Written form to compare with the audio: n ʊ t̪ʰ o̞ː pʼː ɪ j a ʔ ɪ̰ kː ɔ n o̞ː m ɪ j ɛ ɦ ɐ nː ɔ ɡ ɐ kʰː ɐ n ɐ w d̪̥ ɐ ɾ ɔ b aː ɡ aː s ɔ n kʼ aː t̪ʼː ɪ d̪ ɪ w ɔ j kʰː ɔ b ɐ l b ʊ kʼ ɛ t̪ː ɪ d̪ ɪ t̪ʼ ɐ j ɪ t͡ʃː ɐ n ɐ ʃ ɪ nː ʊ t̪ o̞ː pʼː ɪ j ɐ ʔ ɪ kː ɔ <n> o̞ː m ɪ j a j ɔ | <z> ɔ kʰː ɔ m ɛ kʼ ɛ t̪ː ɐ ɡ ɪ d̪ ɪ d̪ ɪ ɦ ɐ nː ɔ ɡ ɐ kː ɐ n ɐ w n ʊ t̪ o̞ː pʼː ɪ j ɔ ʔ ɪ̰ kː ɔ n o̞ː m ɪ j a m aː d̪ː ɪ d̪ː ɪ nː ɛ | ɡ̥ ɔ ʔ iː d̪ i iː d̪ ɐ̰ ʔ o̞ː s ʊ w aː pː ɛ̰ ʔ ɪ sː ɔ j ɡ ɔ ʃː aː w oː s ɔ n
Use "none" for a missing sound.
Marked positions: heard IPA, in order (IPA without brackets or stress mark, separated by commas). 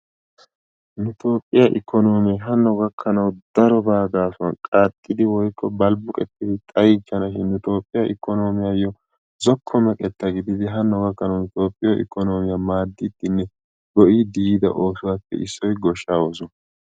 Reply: n, z